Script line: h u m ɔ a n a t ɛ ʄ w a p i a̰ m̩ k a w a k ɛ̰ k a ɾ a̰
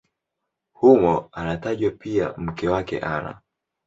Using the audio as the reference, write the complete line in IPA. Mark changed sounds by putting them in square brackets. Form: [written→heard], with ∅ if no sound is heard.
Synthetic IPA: h u m ɔ a n a t [ɛ→a] ʄ w a p i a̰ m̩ k [a→ɛ] w a k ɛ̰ [k→ʔ] a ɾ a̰